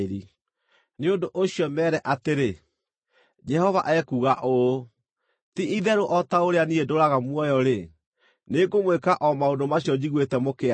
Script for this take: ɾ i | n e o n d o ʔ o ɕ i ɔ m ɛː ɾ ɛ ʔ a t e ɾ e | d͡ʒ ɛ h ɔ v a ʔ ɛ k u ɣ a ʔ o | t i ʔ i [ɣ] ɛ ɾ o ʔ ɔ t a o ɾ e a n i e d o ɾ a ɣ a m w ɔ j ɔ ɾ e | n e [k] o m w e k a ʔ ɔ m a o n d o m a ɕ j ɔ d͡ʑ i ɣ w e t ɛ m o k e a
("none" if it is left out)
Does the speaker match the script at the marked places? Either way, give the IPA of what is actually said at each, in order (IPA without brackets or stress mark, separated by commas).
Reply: ð, ɡ